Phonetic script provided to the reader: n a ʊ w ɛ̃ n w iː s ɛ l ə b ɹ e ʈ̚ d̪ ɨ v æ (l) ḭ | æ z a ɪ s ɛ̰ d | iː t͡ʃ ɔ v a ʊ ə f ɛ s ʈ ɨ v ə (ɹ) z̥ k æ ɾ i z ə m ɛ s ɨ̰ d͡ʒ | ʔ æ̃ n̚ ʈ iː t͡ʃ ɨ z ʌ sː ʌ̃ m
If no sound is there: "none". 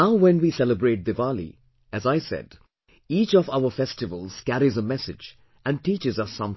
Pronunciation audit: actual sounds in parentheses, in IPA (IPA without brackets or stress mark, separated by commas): l, l